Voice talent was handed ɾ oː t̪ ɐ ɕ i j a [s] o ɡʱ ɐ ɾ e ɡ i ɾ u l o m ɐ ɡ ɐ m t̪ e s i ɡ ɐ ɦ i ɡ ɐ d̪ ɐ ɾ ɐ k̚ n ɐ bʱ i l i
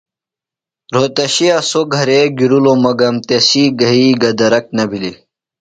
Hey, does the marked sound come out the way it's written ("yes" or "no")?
yes